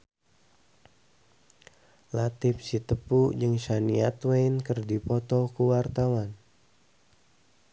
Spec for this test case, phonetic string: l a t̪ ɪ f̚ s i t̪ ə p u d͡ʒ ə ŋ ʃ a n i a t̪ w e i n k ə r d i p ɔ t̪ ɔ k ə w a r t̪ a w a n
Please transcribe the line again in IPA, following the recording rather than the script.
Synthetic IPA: l a t̪ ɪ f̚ s i t̪ ə p u d͡ʒ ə ŋ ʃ a n i a t̪ w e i n k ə r d i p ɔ t̪ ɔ k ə w a r t̪ a w a n